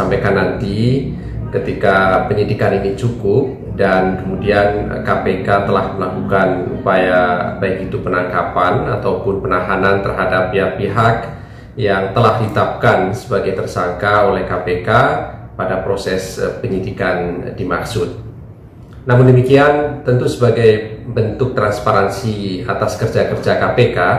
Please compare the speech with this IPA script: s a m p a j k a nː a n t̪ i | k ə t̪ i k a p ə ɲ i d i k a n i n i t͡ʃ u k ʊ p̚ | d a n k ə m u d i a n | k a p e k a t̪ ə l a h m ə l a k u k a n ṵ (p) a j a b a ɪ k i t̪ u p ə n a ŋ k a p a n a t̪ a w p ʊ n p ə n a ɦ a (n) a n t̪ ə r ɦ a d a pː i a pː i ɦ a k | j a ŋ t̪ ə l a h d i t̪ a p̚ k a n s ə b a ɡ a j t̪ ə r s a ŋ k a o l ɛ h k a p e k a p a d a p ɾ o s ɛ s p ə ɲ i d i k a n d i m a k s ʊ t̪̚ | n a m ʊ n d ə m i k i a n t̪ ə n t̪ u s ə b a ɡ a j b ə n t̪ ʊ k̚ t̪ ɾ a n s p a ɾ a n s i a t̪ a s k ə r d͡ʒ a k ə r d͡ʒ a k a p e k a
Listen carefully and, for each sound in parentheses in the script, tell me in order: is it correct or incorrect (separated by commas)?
correct, correct